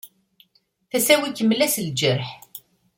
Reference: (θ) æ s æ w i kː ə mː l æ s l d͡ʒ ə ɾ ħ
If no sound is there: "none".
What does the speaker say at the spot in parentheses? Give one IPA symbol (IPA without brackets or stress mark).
θ